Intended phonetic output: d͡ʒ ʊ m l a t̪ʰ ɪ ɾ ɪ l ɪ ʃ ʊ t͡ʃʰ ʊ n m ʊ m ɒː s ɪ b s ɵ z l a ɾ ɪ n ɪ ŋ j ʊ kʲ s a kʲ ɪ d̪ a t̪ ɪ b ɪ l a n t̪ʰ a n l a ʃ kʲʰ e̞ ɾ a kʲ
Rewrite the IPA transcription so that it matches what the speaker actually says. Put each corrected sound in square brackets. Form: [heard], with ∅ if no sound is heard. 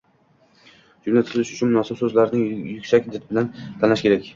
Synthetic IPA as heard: d͡ʒ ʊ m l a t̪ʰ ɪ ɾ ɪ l ɪ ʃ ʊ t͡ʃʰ ʊ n m ʊ [n] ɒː s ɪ b s ɵ z l a ɾ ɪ n ɪ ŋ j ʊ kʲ s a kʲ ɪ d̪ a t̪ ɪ b ɪ l a n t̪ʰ a n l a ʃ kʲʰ e̞ ɾ a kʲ